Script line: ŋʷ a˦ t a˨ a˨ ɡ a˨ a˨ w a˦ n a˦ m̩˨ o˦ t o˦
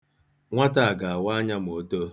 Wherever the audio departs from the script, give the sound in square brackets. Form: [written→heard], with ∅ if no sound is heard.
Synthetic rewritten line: ŋʷ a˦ t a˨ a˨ ɡ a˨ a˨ w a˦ [n→ɲ] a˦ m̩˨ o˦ t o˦